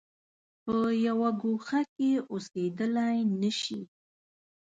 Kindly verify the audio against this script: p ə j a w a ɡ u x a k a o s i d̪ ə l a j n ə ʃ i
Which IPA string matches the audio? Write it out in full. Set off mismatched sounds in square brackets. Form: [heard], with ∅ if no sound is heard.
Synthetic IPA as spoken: p ə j a w a ɡ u x a k [e] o s [e] d̪ ə l a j n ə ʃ i